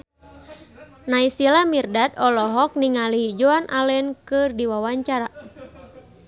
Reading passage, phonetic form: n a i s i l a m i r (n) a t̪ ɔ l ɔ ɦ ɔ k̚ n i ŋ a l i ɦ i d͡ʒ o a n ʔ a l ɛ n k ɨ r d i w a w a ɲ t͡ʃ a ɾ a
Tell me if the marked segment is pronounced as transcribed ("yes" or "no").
no